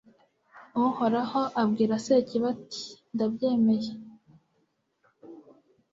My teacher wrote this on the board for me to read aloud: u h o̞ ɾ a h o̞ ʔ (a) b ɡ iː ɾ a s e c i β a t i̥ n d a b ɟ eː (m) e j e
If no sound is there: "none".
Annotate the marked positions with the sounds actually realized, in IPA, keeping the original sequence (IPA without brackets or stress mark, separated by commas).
a, m